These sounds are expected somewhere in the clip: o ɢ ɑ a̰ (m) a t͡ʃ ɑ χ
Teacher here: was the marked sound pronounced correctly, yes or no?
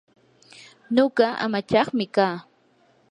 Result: yes